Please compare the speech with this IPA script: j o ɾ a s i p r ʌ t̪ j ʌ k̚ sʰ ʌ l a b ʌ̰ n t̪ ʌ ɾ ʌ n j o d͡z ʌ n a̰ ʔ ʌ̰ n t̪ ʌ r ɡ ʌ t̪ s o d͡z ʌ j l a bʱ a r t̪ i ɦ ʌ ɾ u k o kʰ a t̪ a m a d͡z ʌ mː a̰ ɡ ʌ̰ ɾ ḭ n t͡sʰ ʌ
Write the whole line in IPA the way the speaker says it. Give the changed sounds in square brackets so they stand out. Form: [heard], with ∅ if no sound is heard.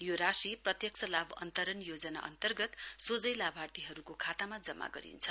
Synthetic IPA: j o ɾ a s i p r ʌ t̪ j ʌ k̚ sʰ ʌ l a b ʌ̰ n t̪ ʌ ɾ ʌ n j o d͡z ʌ n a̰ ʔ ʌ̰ n t̪ ʌ r ɡ ʌ t̪ s o d͡z ʌ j l a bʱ a r t̪ i ɦ ʌ ɾ u k o kʰ a t̪ a m a d͡z ʌ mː a̰ ɡ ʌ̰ ɾ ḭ n t͡sʰ ʌ

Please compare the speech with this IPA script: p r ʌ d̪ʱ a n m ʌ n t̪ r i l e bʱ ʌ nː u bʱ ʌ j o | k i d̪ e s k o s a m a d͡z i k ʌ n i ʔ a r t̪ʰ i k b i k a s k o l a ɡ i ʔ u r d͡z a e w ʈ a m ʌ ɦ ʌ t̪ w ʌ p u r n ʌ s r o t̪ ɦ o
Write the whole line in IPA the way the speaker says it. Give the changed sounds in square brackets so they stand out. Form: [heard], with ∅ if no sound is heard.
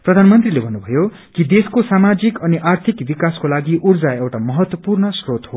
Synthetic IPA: p r ʌ d̪ʱ a n m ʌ n t̪ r i l e bʱ ʌ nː u bʱ ʌ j o | k i d̪ e s k o s a m a d͡z i k ʌ n i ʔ a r t̪ʰ i k b i k a s k o l a ɡ i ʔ u r d͡z a e w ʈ a m ʌ ɦ ʌ t̪ w ʌ p u r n ʌ s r o t̪ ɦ o

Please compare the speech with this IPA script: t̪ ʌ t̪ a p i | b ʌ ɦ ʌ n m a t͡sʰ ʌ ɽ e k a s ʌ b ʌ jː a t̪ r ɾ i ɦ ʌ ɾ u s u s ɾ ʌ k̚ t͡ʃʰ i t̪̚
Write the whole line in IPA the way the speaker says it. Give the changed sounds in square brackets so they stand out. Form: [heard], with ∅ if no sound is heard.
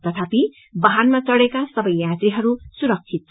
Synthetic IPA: t̪ ʌ [t̪ʰ] a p i | b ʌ ɦ [a] n m a [t͡s] ʌ ɽ e k a s ʌ b ʌ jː a t̪ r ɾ i ɦ ʌ ɾ u s u [∅] ɾ ʌ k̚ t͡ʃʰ i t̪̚

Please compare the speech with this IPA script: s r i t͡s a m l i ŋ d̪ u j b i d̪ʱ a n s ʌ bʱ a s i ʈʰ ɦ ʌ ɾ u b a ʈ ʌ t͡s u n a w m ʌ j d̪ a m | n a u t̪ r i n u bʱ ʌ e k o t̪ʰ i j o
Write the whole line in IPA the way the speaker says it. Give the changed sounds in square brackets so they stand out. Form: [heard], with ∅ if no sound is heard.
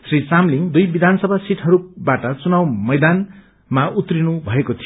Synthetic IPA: s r i t͡s a m l i ŋ d̪ u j b i d̪ʱ a n s ʌ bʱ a s i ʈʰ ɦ ʌ ɾ u b a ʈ ʌ t͡s u n a w m ʌ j d̪ a [n] | [m] a u t̪ r i n u bʱ ʌ e k o t̪ʰ i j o

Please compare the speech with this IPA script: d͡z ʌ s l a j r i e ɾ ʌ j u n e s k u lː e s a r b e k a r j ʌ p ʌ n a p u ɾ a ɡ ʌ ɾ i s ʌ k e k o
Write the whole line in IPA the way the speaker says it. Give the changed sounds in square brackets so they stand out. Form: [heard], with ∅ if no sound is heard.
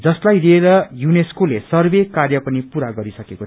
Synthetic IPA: d͡z ʌ s l a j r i e ɾ ʌ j u n e s k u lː e s [ʌ] r b e k a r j ʌ p ʌ n [i] p u ɾ a ɡ ʌ ɾ i s ʌ k e k o

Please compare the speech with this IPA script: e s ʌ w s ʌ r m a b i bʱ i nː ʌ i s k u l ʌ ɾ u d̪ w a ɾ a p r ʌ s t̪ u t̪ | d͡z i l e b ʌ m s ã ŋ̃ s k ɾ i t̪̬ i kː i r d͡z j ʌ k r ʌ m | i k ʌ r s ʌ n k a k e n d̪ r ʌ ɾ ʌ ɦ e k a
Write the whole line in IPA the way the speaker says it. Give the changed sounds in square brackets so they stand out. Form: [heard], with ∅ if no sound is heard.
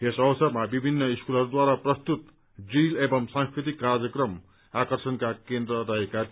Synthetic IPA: e s ʌ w s ʌ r m a b i bʱ i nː ʌ i s k u l ʌ ɾ u d̪ w a ɾ a p r ʌ s t̪ u t̪ | d͡z i l e b ʌ m s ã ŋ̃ s k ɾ i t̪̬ i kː [a] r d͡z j ʌ k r ʌ m | [a] k ʌ r s ʌ n k a k e n d̪ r ʌ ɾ ʌ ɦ e k a

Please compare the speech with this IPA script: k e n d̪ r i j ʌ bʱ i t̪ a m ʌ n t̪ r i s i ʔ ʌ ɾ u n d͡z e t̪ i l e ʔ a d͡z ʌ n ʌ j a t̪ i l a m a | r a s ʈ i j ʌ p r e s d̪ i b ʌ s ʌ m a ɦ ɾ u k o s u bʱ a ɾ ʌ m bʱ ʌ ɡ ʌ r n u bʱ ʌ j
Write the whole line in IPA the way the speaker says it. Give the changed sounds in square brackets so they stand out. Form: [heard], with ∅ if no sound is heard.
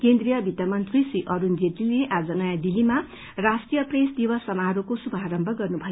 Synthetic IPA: k e n d̪ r i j ʌ bʱ i t̪ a m ʌ n t̪ r i s i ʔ ʌ ɾ u n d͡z e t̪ i l e ʔ a d͡z ʌ n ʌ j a [d̪] i l [i] m a | r a s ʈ i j ʌ p r e s d̪ i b ʌ s ʌ m a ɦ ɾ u k o s u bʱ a ɾ ʌ m bʱ ʌ ɡ ʌ r n u bʱ ʌ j

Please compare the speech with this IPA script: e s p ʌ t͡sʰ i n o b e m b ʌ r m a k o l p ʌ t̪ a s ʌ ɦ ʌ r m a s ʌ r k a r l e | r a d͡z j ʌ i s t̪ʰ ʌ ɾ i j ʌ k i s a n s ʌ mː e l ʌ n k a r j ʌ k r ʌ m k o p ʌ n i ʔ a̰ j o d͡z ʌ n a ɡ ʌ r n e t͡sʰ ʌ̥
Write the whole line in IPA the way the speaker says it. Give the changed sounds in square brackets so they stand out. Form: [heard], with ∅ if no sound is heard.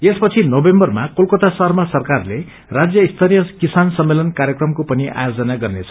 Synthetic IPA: e s p ʌ t͡sʰ i n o b e m b ʌ r m a k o l [k] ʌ t̪ a s ʌ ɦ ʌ r m a s ʌ r k a r l e | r a d͡z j ʌ i s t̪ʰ ʌ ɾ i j ʌ k i s a n s ʌ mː e l ʌ n k a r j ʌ k r ʌ m k o p ʌ n i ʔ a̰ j o d͡z ʌ n a ɡ ʌ r n e t͡sʰ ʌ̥

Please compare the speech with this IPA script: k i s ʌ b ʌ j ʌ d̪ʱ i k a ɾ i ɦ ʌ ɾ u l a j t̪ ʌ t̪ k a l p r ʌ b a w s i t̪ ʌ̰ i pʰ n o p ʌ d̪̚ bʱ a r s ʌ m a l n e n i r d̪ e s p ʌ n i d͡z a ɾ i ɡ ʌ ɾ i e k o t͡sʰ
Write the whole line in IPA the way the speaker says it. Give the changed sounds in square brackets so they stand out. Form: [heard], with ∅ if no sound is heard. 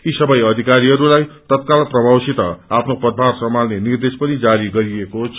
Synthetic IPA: k i s ʌ b ʌ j ʌ d̪ʱ i k a ɾ i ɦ ʌ ɾ u l a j t̪ ʌ t̪ k a l p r ʌ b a w s i t̪ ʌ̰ [a] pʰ n o p ʌ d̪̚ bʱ a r s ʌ m a l n e n i r d̪ e s p ʌ n i d͡z a ɾ i ɡ ʌ ɾ i e k o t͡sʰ

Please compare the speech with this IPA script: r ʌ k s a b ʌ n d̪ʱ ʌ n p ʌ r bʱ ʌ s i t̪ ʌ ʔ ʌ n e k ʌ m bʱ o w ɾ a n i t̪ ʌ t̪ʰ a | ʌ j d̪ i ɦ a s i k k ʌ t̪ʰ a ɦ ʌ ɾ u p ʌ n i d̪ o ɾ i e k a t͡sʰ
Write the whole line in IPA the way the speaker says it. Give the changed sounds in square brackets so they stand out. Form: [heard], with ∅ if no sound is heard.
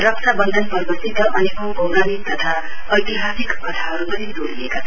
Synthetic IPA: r ʌ k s a b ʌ n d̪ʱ ʌ n p ʌ r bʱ ʌ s i t̪ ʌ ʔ ʌ n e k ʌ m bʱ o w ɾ a n i t̪ ʌ t̪ʰ a | ʌ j [t̪] i ɦ a s i k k ʌ t̪ʰ a ɦ ʌ ɾ u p ʌ n i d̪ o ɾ i e k a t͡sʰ

